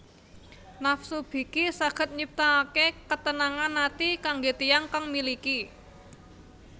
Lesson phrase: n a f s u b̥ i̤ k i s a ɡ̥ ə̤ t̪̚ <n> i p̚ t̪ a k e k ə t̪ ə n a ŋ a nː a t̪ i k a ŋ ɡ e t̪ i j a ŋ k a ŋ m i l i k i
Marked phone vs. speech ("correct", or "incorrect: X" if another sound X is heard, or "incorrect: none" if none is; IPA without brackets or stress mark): incorrect: ɲ